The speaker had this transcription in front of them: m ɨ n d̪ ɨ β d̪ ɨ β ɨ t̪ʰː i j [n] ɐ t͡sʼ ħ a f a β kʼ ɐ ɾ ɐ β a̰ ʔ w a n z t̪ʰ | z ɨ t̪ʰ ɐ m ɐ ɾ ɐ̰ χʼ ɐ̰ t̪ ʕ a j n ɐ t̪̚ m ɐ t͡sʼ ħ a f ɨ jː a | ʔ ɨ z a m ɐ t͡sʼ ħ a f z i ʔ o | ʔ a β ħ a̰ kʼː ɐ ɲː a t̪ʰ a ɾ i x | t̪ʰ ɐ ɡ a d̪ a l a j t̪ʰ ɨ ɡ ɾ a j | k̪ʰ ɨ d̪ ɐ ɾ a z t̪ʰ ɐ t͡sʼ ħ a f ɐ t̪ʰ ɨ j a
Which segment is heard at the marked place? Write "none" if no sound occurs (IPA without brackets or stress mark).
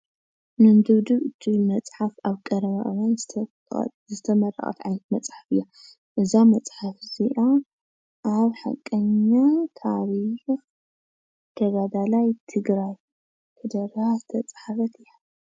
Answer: m